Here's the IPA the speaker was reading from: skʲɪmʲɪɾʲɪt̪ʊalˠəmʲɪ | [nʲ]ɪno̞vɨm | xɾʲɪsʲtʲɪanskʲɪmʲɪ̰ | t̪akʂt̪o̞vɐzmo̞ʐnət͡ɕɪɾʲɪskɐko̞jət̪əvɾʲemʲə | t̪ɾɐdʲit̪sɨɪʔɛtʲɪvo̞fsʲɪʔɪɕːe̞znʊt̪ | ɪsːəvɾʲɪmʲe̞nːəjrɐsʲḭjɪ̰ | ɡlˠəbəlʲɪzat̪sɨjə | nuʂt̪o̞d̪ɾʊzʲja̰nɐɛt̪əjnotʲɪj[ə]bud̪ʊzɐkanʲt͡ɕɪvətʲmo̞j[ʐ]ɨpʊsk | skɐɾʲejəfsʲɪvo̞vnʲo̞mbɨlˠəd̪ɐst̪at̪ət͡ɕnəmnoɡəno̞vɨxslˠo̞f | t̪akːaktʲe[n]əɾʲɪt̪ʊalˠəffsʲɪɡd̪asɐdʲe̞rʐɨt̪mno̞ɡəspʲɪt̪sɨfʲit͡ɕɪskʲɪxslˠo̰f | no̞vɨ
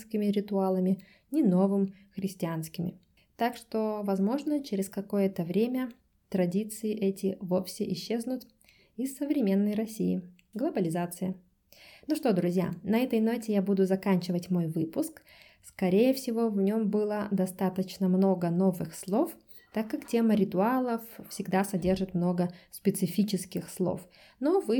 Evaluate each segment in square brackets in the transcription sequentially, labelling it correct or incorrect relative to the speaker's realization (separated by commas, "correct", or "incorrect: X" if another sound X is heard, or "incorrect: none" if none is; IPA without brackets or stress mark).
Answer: correct, incorrect: a, incorrect: v, incorrect: m